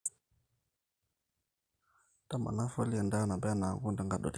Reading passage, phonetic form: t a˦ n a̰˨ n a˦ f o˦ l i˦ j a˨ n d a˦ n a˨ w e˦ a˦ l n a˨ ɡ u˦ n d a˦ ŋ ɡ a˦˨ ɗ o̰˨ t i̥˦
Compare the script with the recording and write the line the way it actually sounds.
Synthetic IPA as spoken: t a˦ m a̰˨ n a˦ f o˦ l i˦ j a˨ n d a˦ n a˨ b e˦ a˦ n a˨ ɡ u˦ n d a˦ ŋ ɡ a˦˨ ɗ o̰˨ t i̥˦